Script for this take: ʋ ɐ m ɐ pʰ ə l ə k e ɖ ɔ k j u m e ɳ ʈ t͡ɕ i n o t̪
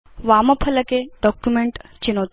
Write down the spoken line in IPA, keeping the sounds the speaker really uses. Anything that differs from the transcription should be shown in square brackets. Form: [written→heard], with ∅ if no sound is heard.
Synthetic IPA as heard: ʋ [ɐ→a] m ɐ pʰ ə l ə k e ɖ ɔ k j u m e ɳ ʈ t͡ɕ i n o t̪